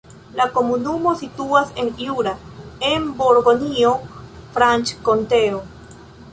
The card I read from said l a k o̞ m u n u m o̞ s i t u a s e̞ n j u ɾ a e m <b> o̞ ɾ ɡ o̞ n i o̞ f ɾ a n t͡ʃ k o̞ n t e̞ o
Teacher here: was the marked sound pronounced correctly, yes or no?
yes